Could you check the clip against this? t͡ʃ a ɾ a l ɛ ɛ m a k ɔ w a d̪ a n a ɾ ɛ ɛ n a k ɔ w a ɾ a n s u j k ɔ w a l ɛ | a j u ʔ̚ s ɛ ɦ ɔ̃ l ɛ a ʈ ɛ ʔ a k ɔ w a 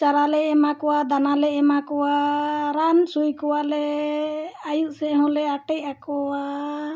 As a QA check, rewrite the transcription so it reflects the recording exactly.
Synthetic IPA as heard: t͡ʃ a ɾ a l ɛ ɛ m a k ɔ w a d̪ a n a l ɛ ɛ m a k ɔ w a ɾ a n s u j k ɔ w a l ɛ | a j u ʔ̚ s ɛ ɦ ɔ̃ l ɛ a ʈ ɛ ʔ a k ɔ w a